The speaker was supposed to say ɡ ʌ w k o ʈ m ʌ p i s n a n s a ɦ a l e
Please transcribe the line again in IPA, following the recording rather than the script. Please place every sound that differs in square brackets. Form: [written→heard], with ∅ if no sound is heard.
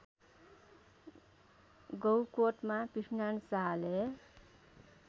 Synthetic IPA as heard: ɡ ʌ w k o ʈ m [ʌ→a] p i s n a n s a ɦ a l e

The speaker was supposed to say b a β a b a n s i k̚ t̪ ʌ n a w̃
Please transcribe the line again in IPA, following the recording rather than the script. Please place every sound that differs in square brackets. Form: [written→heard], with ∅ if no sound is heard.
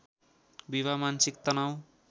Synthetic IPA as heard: b [a→i] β a [b→m] a n s i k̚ t̪ ʌ n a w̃

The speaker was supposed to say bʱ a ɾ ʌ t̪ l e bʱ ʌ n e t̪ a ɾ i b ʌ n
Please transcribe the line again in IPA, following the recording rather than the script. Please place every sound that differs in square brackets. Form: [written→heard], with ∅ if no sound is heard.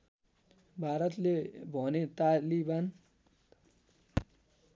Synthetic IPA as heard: bʱ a ɾ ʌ t̪ l e bʱ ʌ n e t̪ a [ɾ→l] i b [ʌ→a] n

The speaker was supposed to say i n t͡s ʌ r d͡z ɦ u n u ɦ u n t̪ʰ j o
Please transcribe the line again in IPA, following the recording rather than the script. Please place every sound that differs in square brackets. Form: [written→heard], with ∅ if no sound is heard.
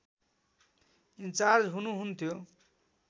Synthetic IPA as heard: i n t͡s [ʌ→a] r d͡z ɦ u n u ɦ u n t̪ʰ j o

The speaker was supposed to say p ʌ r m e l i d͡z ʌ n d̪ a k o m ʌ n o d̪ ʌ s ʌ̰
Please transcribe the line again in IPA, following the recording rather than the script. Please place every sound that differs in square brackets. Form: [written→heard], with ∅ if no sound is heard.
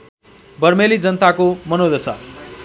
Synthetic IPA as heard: [p→b] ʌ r m e l i d͡z ʌ n [d̪→t̪] a k o m ʌ n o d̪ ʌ s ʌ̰

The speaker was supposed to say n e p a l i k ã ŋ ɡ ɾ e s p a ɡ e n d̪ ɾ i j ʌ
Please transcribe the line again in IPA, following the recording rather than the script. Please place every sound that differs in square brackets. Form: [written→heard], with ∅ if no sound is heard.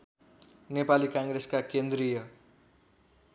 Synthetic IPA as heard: n e p a l i k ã ŋ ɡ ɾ e s [p→k] a [ɡ→k] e n d̪ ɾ i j ʌ

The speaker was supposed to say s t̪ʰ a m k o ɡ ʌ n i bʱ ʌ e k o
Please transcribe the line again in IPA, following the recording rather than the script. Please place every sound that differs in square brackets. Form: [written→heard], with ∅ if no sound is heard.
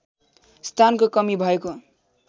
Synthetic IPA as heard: s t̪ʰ a [m→n] k o [ɡ→k] ʌ [n→m] i bʱ ʌ e k o

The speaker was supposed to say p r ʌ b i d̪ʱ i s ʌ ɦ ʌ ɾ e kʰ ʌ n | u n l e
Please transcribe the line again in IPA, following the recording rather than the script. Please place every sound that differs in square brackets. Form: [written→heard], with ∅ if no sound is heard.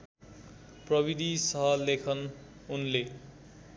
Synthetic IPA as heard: p r ʌ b i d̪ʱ i s ʌ ɦ ʌ [ɾ→l] e kʰ ʌ n | u n l e

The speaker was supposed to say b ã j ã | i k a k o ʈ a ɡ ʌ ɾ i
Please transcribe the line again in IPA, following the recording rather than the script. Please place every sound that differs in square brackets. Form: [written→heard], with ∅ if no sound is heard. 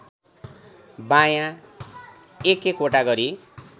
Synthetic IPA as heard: b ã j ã | [i→e] k [a→e] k o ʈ a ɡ ʌ ɾ i

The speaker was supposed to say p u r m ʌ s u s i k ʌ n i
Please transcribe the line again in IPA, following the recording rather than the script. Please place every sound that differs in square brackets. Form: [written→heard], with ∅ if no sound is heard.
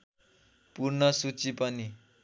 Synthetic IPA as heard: p u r [m→n] ʌ s u [s→t͡s] i [k→p] ʌ n i

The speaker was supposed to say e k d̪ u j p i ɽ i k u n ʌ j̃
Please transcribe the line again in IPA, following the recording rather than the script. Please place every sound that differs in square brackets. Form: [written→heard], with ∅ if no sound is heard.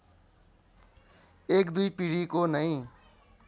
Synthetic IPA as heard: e k d̪ u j p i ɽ i k [u→o] n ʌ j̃

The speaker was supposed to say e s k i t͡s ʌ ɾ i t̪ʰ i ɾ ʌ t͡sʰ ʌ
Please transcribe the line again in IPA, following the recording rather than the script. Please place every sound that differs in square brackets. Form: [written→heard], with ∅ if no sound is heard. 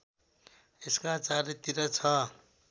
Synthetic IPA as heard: e s k [i→a] t͡s [ʌ→a] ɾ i [t̪ʰ→t̪] i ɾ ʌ t͡sʰ ʌ

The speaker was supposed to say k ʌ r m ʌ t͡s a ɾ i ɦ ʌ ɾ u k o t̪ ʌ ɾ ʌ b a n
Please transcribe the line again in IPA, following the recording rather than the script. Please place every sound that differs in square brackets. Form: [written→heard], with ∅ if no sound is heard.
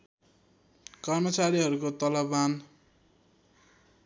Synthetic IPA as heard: k ʌ r m ʌ t͡s a ɾ i ɦ ʌ ɾ u k o t̪ ʌ [ɾ→l] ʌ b a n

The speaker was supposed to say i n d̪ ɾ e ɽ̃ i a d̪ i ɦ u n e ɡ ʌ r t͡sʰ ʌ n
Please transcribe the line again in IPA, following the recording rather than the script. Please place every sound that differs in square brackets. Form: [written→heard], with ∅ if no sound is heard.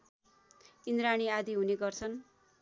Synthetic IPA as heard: i n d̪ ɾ [e→a] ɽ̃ i a d̪ i ɦ u n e ɡ ʌ r t͡sʰ ʌ n

